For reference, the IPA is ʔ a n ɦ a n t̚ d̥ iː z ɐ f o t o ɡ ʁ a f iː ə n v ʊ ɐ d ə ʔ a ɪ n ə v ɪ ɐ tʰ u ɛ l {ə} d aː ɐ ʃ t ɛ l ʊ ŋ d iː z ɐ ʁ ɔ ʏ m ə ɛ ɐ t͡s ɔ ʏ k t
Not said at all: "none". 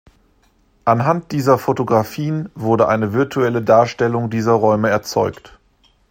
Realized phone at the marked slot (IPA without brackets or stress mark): ə